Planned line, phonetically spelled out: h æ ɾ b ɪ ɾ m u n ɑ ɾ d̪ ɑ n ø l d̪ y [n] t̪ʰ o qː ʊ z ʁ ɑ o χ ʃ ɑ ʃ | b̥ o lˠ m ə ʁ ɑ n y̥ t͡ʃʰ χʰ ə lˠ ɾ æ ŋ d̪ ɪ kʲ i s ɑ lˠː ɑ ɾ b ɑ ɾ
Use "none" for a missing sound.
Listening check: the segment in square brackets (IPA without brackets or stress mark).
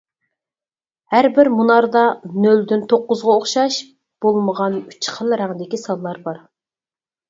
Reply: n